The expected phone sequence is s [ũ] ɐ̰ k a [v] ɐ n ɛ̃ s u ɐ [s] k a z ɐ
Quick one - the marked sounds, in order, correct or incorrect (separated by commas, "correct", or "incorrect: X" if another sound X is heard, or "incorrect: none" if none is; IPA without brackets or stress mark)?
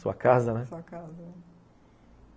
incorrect: u, incorrect: z, incorrect: none